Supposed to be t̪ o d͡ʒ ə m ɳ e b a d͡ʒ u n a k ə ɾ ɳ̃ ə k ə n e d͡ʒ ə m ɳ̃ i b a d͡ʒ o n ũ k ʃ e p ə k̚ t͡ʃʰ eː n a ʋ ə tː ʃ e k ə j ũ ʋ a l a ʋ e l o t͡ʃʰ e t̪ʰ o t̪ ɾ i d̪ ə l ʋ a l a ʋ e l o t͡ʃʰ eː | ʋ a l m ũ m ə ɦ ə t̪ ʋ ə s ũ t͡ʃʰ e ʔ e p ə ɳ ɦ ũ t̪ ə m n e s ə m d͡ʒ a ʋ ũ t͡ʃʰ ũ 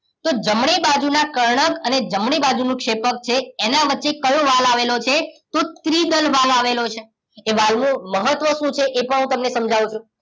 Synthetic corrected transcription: t̪ o d͡ʒ ə m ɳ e b a d͡ʒ u n a k ə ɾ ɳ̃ ə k ə n e d͡ʒ ə m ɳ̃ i b a d͡ʒ u n ũ k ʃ e p ə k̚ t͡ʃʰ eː n a ʋ ə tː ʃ e k ə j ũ ʋ a l a ʋ e l o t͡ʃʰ e t̪ o t̪ ɾ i d̪ ə l ʋ a l a ʋ e l o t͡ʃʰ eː | ʋ a l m ũ m ə ɦ ə t̪ ʋ ə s ũ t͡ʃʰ e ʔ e p ə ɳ ɦ ũ t̪ ə m n e s ə m d͡ʒ a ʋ ũ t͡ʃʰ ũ

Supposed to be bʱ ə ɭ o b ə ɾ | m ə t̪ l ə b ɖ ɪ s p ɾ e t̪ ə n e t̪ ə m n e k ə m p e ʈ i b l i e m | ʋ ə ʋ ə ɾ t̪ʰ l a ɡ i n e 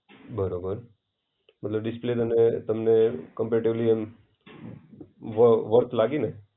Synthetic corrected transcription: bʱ ə ɾ o b ə ɾ | m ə t̪ l ə b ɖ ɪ s p l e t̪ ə n e t̪ ə m n e k ə m p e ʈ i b l i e m | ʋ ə ʋ ə ɾ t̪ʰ l a ɡ i n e

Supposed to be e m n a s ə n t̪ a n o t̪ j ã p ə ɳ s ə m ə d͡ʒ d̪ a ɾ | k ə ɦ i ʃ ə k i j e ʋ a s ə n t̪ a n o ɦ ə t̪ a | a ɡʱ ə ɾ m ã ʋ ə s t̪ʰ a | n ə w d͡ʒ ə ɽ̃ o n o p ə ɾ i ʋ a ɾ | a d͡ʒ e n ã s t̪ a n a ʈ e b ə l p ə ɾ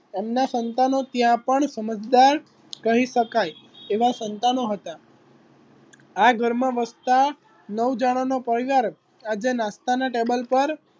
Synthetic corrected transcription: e m n a s ə n t̪ a n o t̪ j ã p ə ɳ s ə m ə d͡ʒ d̪ a ɾ | k ə ɦ i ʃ ə k a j e ʋ a s ə n t̪ a n o ɦ ə t̪ a | a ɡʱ ə ɾ m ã ʋ ə s t̪ a | n ə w d͡ʒ a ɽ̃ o n o p ə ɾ i ʋ a ɾ | a d͡ʒ e n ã s t̪ a n a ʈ e b ə l p ə ɾ

